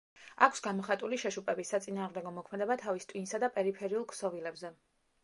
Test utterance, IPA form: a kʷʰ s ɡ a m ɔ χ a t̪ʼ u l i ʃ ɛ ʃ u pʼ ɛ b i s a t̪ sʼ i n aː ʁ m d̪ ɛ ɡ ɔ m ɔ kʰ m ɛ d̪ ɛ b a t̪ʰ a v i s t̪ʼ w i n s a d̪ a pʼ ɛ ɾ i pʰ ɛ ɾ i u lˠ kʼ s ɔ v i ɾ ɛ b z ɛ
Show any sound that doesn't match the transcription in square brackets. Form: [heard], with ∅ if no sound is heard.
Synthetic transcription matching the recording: a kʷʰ s ɡ a m ɔ χ a t̪ʼ u l i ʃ ɛ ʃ u pʼ ɛ b i s a t̪ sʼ i n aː ʁ m d̪ ɛ ɡ ɔ m ɔ kʰ m ɛ d̪ ɛ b a t̪ʰ a v i s t̪ʼ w i n s a d̪ a pʼ ɛ ɾ i pʰ ɛ ɾ i u lˠ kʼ s ɔ v i [l] ɛ b z ɛ